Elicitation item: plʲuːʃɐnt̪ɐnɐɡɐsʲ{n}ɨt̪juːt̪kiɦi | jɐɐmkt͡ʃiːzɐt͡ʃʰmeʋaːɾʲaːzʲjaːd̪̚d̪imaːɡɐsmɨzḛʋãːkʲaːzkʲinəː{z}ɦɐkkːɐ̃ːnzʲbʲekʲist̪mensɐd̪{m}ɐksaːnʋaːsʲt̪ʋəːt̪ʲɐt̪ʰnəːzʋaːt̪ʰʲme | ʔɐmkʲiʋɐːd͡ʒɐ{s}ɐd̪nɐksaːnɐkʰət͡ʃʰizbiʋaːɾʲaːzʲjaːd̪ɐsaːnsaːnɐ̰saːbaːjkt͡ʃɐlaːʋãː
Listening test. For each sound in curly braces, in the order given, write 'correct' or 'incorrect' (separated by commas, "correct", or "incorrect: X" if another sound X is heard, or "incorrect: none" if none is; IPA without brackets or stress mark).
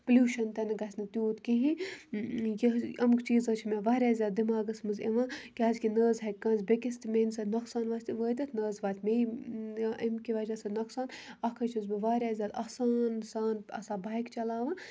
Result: correct, correct, incorrect: n, correct